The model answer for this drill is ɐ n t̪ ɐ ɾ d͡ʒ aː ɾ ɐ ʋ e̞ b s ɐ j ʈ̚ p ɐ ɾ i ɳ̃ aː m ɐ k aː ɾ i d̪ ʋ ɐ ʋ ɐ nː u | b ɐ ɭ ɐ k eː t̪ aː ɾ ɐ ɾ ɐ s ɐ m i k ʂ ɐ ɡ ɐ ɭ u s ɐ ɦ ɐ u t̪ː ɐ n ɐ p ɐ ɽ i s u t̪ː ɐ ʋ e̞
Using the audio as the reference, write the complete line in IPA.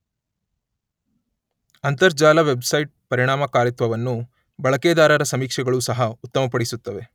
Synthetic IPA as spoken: ɐ n t̪ ɐ ɾ d͡ʒ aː l ɐ ʋ e̞ b s ɐ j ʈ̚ p ɐ ɾ i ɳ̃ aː m ɐ k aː ɾ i t̪ ʋ ɐ ʋ ɐ nː u | b ɐ ɭ ɐ k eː d̪ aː ɾ ɐ ɾ ɐ s ɐ m iː k ʂ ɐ ɡ ɐ ɭ u s ɐ ɦ ɐ u t̪ː ɐ m ɐ p ɐ ɽ i s u t̪ː ɐ ʋ e̞